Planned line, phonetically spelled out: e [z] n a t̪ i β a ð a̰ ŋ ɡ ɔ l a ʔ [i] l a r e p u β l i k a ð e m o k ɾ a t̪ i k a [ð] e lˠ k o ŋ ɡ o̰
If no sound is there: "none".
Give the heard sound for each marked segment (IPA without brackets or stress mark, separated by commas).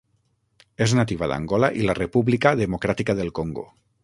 z, i, ð